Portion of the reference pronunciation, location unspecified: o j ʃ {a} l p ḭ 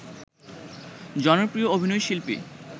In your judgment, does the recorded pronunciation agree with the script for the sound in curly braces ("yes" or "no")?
no